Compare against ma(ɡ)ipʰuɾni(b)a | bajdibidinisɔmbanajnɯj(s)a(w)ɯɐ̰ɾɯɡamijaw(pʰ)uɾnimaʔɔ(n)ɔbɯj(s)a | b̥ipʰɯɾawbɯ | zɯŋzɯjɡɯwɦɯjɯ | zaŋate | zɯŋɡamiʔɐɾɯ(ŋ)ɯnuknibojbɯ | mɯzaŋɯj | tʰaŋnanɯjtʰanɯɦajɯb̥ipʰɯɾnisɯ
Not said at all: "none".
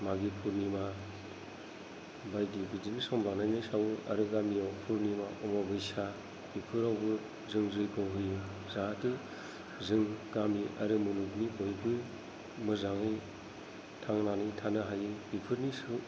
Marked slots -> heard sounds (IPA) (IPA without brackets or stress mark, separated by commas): ɡ, m, s, w, pʰ, m, s, m